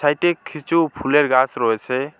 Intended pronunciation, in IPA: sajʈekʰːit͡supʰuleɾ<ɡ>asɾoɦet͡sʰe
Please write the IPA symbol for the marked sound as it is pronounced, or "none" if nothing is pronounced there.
ɡ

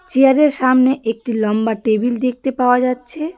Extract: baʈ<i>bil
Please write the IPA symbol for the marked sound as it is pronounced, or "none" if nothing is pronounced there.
e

